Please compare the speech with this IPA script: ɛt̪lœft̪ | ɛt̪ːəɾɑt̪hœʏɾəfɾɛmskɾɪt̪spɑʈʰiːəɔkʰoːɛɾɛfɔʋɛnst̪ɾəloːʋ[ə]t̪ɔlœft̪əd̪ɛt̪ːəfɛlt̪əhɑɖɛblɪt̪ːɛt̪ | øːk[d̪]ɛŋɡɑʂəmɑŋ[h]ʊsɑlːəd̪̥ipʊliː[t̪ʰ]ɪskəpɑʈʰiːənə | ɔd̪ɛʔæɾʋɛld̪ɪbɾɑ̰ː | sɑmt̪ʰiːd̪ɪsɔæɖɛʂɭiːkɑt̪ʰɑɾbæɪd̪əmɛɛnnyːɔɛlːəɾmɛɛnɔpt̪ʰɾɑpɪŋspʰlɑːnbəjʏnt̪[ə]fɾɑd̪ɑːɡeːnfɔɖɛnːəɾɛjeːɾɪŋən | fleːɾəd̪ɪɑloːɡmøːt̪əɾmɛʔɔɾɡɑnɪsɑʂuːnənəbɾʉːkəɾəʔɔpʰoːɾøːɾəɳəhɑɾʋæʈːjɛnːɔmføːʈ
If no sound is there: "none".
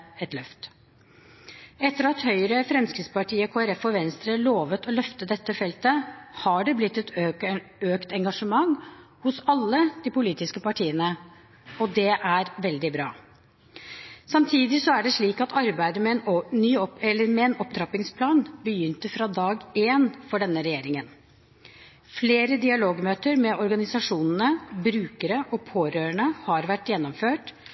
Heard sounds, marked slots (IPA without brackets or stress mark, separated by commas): ə, t̪, h, t̪, ə